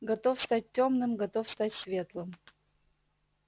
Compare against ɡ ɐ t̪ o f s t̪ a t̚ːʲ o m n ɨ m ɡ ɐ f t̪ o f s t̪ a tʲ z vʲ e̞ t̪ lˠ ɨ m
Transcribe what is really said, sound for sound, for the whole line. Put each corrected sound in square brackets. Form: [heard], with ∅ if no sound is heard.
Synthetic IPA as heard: ɡ ɐ t̪ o f s t̪ a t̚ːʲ o m n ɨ m ɡ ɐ [∅] t̪ o f s t̪ a tʲ [s] vʲ e̞ t̪ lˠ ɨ m